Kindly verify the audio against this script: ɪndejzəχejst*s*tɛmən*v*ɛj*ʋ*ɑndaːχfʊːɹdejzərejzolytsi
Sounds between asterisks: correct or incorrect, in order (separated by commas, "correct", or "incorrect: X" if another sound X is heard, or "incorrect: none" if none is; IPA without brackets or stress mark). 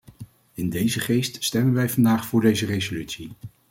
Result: correct, incorrect: ʋ, incorrect: v